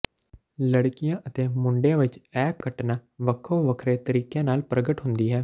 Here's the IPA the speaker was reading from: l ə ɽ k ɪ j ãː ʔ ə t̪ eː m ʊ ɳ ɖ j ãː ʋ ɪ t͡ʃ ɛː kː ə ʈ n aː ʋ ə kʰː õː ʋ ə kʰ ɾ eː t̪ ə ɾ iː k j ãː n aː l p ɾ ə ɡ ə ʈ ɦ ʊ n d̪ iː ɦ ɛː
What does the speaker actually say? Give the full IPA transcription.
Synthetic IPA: l ə ɽ k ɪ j ãː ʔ ə t̪ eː m ʊ ɳ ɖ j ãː ʋ ɪ t͡ʃ ɛː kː ə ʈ n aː ʋ ə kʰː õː ʋ ə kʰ ɾ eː t̪ ə ɾ iː k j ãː n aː l p ɾ ə ɡ ə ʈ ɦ ʊ n d̪ iː ɦ ɛː